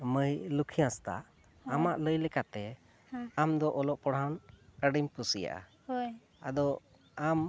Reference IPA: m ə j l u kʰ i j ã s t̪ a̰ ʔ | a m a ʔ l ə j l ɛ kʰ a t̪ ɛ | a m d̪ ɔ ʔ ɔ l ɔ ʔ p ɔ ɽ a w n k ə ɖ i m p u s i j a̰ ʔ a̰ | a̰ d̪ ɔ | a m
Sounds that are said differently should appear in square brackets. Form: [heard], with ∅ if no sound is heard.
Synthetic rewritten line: m ə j l u kʰ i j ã s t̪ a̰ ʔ | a m a ʔ l ə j l ɛ [k] a t̪ ɛ | a m d̪ ɔ ʔ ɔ l ɔ ʔ p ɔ ɽ a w n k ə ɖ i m p u s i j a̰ ʔ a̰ | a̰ d̪ ɔ | a m